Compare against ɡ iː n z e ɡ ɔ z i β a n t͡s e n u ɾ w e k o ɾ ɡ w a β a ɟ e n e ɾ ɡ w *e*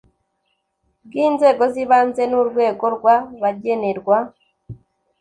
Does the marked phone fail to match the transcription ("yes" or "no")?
yes